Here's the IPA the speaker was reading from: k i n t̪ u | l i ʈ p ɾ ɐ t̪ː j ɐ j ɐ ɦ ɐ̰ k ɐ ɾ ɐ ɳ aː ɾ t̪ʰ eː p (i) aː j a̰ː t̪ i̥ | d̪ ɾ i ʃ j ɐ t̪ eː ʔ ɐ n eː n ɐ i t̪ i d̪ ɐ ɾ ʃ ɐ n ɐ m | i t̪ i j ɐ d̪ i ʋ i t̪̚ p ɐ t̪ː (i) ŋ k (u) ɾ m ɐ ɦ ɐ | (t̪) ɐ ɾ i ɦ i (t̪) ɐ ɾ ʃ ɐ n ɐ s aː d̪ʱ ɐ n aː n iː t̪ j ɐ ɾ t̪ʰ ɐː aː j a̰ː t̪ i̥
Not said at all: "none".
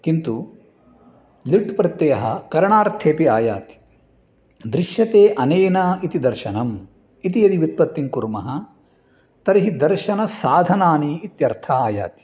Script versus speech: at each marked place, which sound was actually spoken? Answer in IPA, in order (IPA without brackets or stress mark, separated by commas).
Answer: i, i, u, t̪, d̪